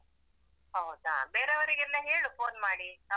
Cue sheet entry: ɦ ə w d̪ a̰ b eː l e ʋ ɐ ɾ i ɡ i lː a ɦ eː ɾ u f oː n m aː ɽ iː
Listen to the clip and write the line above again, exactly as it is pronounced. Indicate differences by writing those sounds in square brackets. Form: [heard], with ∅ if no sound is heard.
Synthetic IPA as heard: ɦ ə w d̪ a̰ b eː [ɾ] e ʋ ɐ ɾ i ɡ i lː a ɦ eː [ɭ] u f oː n m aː ɽ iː